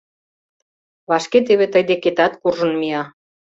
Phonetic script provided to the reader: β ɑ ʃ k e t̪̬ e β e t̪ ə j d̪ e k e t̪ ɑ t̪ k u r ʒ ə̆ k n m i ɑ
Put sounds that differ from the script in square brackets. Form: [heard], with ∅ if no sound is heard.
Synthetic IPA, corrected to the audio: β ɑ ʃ k e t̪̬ e β e t̪ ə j d̪ e k e t̪ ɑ t̪ k u r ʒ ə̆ [∅] n m i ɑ